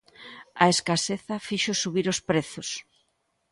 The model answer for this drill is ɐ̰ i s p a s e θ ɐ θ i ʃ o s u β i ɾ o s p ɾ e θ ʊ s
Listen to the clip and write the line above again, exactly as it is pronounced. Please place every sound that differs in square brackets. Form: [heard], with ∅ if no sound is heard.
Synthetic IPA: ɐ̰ [e] s [k] a s e θ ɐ [f] i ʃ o s u β i ɾ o s p ɾ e θ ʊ s